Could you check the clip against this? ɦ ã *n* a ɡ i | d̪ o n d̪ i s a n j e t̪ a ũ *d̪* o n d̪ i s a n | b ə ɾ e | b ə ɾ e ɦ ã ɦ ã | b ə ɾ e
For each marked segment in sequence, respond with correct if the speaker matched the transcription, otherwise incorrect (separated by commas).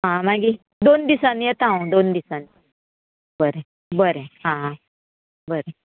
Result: incorrect, correct